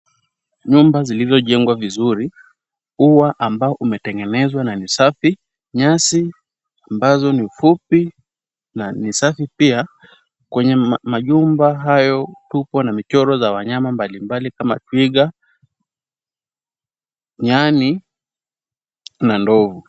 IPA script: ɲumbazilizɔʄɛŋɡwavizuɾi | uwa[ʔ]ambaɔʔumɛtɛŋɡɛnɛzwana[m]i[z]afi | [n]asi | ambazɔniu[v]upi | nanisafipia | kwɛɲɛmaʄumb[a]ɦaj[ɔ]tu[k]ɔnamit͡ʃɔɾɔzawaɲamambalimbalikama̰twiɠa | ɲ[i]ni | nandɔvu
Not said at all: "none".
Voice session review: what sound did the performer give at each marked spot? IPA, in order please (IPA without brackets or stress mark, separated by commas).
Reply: ʔ, n, s, ɲ, f, a, ɔ, p, a